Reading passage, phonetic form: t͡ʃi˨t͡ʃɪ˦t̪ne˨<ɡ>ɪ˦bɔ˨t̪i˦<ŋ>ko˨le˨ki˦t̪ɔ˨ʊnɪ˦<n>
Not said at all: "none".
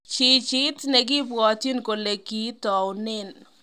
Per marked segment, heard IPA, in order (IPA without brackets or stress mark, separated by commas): ɡ, n, n